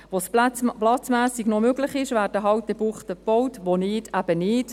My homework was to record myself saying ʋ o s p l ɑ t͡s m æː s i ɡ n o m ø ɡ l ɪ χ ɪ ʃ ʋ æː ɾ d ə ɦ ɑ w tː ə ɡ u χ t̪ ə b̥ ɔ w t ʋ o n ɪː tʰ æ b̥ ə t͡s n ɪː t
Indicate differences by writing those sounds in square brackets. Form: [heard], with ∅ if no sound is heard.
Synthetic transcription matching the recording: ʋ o s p l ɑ t͡s m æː s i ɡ n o m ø ɡ l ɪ χ ɪ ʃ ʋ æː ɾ d ə ɦ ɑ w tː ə [b] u χ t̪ ə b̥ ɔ w t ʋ o n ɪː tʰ æ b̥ ə [∅] n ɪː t